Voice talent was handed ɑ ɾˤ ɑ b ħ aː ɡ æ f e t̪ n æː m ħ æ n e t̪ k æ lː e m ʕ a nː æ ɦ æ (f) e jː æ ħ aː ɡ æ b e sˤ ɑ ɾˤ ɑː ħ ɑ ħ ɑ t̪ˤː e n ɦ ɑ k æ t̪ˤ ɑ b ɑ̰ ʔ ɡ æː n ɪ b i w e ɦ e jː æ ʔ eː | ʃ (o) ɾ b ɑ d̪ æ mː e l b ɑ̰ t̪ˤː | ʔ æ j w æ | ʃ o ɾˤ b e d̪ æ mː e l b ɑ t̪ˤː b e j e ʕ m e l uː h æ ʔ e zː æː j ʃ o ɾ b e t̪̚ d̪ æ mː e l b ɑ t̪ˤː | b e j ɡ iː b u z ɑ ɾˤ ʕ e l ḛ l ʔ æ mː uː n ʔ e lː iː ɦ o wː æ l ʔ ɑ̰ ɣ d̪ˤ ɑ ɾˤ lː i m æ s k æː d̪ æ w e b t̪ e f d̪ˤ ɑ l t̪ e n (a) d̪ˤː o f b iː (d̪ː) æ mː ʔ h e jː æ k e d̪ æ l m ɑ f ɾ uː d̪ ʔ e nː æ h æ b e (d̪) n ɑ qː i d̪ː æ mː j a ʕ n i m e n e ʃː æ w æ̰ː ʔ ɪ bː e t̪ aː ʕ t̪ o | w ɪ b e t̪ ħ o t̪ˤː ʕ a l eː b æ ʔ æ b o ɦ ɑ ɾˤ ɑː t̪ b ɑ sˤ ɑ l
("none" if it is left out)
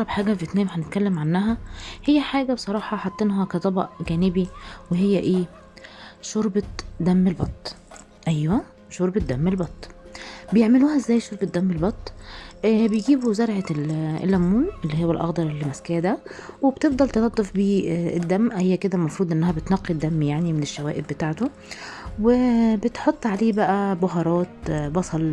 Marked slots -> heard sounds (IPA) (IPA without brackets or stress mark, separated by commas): h, o, ɑ, d̪ː, t̪